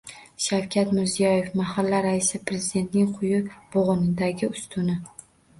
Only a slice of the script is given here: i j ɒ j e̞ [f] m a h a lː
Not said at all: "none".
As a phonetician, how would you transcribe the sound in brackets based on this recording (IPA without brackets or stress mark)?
f